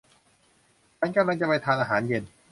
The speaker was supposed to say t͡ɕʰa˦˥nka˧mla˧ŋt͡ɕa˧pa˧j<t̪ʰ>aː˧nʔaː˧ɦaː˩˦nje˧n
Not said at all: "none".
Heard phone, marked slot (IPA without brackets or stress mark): t̪ʰ